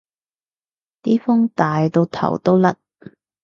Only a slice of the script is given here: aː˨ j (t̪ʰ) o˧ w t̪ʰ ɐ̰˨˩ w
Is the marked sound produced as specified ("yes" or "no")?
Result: no